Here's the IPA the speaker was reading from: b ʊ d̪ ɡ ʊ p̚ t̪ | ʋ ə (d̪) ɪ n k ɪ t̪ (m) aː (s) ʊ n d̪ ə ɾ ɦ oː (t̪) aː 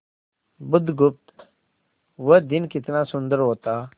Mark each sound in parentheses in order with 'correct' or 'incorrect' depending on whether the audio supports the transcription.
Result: correct, incorrect, correct, correct

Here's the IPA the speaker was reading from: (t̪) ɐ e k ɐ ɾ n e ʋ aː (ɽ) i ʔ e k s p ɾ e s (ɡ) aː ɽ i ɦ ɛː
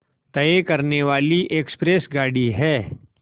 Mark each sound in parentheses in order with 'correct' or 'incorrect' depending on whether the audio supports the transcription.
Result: correct, incorrect, correct

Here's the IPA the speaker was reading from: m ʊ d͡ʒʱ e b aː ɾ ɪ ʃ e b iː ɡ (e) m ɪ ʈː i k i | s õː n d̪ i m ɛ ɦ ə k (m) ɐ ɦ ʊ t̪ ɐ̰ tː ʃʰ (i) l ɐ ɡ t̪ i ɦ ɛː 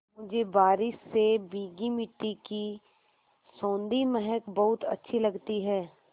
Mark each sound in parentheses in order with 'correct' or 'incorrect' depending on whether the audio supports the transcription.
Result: incorrect, incorrect, correct

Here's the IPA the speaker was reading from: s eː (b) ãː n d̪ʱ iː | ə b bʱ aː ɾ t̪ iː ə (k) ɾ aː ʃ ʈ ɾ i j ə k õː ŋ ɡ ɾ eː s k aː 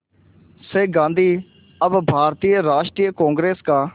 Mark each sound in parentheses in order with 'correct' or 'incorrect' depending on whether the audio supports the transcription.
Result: incorrect, incorrect

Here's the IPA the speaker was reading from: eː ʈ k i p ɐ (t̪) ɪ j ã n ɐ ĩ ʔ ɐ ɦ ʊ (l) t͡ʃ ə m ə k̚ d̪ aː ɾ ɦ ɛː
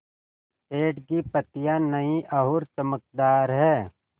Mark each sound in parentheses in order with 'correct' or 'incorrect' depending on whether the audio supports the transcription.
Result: correct, incorrect

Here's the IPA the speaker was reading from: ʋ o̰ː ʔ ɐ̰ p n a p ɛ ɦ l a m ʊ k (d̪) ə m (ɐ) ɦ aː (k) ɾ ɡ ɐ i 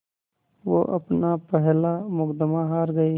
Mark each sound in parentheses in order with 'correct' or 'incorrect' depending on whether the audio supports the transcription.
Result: correct, incorrect, incorrect

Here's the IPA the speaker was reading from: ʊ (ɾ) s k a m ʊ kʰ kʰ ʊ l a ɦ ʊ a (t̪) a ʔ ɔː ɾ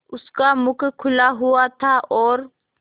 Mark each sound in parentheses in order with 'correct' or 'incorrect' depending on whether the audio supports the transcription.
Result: incorrect, incorrect

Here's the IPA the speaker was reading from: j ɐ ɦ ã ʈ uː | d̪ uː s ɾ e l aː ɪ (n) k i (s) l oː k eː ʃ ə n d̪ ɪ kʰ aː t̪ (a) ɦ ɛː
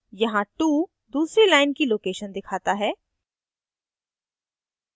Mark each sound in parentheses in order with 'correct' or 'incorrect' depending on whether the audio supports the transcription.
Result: correct, incorrect, correct

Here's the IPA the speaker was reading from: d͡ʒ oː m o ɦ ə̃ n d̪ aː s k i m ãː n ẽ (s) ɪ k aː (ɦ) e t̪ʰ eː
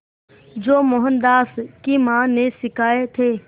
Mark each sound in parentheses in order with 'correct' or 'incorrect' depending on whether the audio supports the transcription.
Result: correct, incorrect

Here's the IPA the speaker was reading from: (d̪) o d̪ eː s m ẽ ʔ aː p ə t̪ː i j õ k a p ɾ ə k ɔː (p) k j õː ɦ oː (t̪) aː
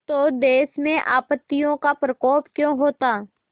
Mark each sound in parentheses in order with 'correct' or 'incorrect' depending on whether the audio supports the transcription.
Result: incorrect, correct, correct

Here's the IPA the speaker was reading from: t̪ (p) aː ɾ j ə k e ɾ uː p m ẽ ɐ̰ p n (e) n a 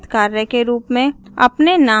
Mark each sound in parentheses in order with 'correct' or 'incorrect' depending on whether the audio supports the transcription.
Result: incorrect, correct

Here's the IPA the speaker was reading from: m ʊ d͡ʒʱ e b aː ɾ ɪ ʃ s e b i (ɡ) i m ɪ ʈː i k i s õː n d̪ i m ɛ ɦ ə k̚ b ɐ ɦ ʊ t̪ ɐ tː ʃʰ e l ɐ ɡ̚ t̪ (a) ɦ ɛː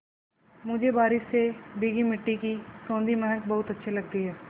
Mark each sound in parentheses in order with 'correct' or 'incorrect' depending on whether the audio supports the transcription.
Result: correct, incorrect

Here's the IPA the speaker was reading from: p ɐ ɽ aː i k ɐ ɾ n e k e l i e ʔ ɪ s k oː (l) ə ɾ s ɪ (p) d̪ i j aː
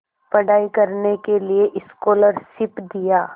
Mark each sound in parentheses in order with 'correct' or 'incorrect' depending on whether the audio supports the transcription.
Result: correct, correct

